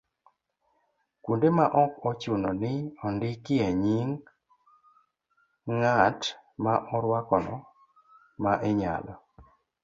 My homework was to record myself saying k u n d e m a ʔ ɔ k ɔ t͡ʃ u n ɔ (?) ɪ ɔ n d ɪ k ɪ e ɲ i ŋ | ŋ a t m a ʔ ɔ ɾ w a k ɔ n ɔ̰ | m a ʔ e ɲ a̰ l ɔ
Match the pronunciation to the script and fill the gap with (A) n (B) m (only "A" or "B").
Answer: A